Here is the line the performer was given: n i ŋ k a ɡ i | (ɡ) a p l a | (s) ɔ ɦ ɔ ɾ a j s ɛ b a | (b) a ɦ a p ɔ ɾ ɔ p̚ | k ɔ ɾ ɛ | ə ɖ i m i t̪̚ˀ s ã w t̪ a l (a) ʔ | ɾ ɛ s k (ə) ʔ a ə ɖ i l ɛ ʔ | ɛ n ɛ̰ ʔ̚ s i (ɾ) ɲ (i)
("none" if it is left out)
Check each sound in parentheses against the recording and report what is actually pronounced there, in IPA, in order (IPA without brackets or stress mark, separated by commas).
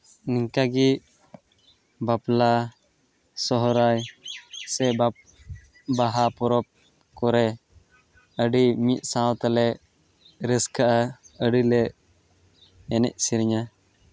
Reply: b, s, b, ɛ, a, ɾ, a